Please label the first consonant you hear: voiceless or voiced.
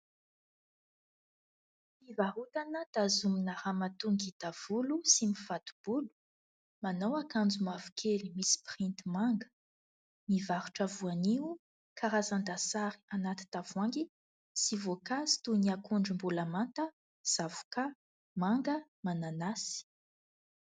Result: voiced